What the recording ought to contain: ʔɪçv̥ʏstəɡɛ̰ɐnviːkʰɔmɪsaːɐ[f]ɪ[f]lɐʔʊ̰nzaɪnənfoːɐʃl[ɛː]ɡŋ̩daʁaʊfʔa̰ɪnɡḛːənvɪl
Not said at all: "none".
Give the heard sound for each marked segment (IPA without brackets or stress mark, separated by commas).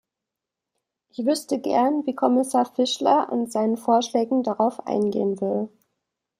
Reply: f, ʃ, ɛː